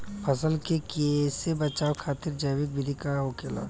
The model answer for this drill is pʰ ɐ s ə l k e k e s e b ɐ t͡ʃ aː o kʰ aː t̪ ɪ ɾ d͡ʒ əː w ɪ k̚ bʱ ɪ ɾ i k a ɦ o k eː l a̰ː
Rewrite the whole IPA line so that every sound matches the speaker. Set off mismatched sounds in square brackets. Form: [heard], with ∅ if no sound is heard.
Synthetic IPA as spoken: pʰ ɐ s ə l k e k e s e b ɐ t͡ʃ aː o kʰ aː t̪ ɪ ɾ d͡ʒ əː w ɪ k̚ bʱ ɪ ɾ i k a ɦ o k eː l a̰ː